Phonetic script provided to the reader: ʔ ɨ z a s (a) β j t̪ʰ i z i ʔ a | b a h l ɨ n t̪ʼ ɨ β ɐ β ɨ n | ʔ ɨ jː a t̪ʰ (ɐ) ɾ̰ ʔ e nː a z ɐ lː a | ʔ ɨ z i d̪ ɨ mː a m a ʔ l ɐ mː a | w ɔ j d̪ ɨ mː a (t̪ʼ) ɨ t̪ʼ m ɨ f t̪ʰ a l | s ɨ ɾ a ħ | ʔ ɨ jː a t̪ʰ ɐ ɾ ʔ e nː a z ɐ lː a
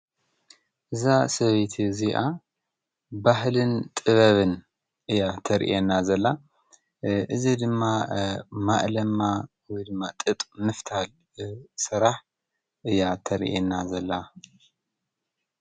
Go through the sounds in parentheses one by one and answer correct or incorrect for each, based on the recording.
incorrect, correct, correct

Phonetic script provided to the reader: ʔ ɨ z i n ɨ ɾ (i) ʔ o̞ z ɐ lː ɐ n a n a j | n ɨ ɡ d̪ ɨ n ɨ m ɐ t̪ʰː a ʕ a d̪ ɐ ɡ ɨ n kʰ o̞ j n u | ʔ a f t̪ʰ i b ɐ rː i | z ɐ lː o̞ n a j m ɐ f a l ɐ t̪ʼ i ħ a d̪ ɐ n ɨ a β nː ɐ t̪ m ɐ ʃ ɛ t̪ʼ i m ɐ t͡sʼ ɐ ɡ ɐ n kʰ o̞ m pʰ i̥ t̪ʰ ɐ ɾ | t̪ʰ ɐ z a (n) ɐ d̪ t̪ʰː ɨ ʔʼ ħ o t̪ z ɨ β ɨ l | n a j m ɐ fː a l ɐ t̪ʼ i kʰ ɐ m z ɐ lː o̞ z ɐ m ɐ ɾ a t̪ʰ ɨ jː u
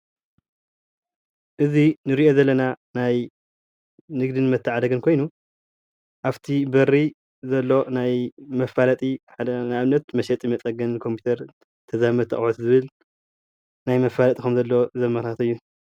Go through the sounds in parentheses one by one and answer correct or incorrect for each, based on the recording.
correct, incorrect

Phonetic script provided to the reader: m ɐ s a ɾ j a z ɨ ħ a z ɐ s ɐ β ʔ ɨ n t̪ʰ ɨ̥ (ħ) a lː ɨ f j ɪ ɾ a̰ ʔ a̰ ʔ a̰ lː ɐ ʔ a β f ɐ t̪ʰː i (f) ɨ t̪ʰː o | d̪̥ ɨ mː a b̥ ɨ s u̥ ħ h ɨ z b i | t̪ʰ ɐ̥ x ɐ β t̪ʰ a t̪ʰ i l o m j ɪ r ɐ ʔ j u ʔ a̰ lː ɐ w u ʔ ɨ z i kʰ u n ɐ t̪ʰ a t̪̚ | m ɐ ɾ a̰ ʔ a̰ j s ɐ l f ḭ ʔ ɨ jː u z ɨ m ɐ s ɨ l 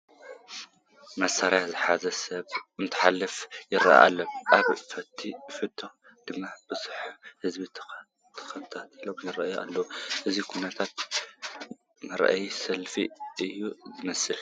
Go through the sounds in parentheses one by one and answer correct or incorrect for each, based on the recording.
correct, correct

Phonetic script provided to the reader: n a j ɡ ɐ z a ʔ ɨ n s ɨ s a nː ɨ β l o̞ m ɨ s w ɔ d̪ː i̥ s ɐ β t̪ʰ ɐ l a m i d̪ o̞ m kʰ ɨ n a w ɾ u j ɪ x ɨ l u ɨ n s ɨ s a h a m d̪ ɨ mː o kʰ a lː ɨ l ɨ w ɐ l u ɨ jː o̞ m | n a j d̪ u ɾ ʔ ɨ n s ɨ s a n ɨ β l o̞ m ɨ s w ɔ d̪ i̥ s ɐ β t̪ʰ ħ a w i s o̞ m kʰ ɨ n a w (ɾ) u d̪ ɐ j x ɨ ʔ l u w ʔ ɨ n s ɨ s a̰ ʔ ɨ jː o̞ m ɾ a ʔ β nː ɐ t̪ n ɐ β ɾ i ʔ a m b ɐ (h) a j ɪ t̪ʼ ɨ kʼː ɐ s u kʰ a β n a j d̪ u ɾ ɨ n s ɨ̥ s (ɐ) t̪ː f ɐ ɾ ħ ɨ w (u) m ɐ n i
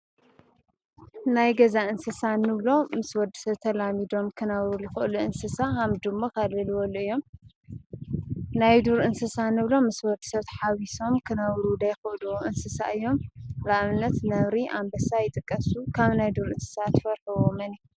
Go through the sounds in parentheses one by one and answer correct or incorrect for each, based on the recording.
correct, incorrect, incorrect, incorrect

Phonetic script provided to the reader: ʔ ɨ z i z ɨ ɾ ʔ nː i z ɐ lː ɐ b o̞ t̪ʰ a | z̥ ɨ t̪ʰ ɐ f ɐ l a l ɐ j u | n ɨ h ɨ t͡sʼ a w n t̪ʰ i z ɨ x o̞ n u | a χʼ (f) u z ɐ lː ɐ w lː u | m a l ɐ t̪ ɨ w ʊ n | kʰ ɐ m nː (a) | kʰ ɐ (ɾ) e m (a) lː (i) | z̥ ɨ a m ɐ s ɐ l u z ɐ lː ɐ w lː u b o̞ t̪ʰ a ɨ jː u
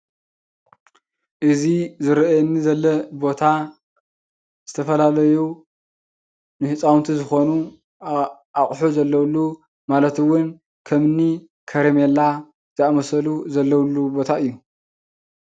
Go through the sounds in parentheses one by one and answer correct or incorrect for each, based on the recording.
incorrect, incorrect, correct, incorrect, incorrect

